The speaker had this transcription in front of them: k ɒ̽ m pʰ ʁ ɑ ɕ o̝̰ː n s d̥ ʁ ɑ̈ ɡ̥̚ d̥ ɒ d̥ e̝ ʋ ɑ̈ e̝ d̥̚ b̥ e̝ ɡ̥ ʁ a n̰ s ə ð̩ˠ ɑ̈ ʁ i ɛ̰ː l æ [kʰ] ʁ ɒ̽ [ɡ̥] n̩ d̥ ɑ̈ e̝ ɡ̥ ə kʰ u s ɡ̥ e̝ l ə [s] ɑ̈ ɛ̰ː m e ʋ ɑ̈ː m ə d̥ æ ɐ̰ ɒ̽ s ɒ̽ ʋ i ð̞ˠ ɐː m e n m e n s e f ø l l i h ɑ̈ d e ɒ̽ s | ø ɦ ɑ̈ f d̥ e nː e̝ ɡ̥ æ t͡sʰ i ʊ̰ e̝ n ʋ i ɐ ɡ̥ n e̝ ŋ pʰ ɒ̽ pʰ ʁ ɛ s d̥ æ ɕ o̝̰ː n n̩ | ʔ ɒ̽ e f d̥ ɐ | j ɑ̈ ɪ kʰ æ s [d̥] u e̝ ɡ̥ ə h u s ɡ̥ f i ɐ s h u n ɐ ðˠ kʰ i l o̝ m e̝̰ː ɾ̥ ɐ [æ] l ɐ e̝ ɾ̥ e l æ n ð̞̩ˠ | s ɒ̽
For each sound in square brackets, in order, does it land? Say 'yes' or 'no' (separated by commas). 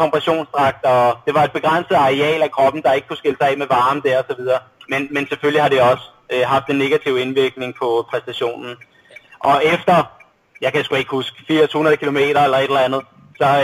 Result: yes, no, yes, no, no